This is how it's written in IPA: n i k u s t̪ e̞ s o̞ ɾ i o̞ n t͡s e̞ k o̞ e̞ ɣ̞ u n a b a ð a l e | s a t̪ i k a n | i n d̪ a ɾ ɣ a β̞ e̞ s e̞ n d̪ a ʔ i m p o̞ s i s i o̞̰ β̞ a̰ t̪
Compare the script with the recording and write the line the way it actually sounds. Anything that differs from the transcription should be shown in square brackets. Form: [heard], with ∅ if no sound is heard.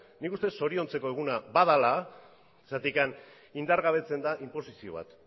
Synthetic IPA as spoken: n i k u s t̪ e̞ s o̞ ɾ i o̞ n t͡s e̞ k o̞ e̞ ɣ̞ u n a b a ð a l [a] | s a t̪ i k a n | i n d̪ a ɾ ɣ a β̞ e̞ [t͡s] e̞ n d̪ a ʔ i m p o̞ s i s i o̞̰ β̞ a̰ t̪